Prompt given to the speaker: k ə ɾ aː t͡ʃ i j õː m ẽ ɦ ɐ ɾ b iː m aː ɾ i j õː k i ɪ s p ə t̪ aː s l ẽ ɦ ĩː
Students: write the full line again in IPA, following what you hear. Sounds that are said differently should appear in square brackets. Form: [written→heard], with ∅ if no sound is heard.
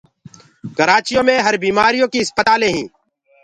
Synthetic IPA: k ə ɾ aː t͡ʃ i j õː m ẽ ɦ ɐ ɾ b iː m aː ɾ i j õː k i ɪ s p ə t̪ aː [s→∅] l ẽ ɦ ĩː